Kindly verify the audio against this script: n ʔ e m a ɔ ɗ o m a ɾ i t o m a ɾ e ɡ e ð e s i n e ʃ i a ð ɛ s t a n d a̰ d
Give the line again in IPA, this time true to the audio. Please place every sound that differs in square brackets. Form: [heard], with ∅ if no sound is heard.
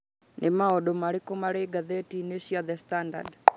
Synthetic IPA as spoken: n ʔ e m a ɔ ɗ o m a ɾ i [k] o m a ɾ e ɡ [a] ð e [t] i n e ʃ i a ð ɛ s t a n d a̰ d